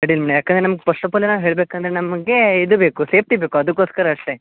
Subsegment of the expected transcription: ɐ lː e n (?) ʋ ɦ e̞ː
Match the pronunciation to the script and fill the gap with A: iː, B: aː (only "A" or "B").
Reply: B